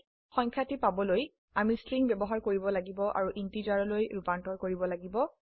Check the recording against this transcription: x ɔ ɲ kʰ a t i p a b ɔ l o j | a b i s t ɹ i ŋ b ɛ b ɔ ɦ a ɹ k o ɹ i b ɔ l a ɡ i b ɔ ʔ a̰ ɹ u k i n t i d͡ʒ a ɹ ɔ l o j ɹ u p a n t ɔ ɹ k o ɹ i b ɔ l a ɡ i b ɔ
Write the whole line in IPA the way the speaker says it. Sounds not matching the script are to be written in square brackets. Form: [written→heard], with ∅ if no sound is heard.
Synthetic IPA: x ɔ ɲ kʰ a t i p a b ɔ l o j | a [b→m] i s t ɹ i ŋ b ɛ b ɔ ɦ a ɹ k o ɹ i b ɔ l a ɡ i b ɔ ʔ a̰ ɹ u [k→ʔ] i n t i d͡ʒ a ɹ ɔ l o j ɹ u p a n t ɔ ɹ k o ɹ i b ɔ l a ɡ i b ɔ